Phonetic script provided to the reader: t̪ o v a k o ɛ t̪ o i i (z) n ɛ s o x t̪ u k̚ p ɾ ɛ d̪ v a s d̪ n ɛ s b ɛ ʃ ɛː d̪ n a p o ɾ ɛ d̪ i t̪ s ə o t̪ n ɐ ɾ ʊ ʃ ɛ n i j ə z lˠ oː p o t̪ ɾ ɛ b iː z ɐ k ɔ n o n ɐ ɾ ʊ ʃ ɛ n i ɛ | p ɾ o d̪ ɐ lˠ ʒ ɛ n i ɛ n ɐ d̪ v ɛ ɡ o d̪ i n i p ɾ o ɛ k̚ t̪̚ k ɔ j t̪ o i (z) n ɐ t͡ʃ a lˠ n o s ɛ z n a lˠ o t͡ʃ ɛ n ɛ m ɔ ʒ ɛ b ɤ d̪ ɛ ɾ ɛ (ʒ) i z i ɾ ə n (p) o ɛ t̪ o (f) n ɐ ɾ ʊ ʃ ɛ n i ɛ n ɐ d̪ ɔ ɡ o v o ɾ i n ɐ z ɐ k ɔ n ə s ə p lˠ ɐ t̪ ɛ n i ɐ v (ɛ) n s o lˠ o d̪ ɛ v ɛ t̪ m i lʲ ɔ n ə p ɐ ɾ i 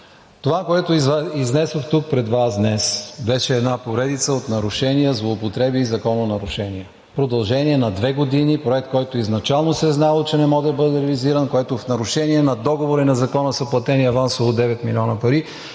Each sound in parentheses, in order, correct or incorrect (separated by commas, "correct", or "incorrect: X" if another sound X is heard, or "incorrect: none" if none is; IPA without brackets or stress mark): correct, correct, incorrect: v, incorrect: k, correct, incorrect: a